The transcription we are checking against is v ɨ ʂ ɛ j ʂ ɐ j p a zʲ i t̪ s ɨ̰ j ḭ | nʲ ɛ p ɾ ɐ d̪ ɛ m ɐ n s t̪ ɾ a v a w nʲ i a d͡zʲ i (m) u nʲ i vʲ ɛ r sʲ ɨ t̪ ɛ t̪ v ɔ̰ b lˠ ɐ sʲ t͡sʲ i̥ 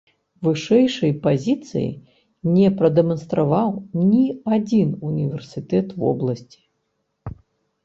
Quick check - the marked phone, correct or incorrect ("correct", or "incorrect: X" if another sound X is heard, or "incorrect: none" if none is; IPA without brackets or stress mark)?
incorrect: n